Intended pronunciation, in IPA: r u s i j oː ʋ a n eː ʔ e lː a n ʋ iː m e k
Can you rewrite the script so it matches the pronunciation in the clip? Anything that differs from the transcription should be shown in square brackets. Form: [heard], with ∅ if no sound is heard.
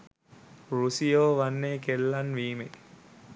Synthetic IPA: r u s i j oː ʋ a [nː] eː [k] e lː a n ʋ iː m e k